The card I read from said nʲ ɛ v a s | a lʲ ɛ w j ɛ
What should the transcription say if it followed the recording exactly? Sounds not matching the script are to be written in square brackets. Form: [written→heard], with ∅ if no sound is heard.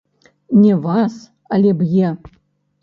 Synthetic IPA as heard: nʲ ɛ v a s | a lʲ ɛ [w→b] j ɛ